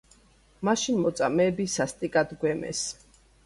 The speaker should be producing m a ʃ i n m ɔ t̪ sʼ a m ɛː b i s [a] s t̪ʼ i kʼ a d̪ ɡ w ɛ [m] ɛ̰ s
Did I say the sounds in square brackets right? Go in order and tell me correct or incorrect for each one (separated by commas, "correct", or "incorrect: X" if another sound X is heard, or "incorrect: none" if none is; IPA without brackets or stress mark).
correct, correct